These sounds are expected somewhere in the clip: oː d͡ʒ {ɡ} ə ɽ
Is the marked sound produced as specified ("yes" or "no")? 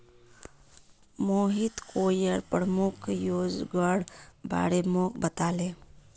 yes